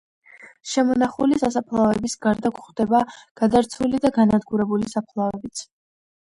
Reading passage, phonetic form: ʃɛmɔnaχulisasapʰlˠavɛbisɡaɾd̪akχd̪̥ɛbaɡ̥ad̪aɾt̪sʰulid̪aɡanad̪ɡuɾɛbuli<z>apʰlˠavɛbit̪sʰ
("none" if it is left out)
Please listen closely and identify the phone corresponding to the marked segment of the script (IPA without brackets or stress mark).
s